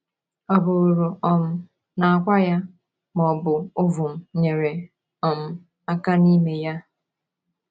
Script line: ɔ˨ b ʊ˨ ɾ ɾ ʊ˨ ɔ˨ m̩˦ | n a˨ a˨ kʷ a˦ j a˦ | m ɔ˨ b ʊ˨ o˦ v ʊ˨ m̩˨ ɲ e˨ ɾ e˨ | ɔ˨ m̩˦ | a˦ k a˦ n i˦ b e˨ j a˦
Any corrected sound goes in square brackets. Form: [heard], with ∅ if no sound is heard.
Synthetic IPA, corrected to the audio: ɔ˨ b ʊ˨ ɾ ɾ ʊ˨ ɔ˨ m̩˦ | n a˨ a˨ kʷ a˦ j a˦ | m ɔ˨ b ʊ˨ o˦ v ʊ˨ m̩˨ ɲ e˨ ɾ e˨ | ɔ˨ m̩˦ | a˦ k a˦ n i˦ [m] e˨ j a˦